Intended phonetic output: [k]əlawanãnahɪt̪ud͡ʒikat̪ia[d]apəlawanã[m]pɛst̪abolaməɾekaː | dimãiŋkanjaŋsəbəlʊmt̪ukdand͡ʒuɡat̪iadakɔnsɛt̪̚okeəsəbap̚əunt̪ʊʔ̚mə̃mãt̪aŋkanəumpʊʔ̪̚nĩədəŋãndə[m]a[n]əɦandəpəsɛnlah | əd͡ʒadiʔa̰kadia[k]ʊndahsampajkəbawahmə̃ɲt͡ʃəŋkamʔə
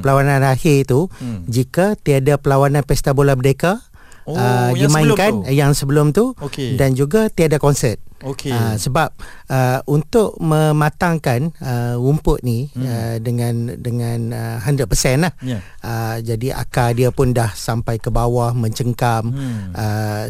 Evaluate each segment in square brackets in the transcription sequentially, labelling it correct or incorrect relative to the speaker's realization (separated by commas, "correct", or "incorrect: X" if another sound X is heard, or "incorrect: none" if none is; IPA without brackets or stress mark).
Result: incorrect: p, correct, incorrect: n, incorrect: ŋ, correct, incorrect: p